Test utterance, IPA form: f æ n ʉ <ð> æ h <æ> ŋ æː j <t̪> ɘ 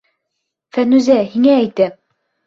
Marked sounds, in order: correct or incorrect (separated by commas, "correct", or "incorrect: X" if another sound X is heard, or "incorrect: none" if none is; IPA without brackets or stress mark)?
incorrect: z, incorrect: i, correct